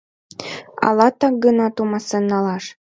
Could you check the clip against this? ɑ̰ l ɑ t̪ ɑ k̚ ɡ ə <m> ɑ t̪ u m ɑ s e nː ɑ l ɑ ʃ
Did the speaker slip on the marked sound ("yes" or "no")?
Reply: yes